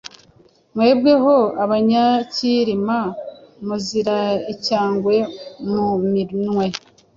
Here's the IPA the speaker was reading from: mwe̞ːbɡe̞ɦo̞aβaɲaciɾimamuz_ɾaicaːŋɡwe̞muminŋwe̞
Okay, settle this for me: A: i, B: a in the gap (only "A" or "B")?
A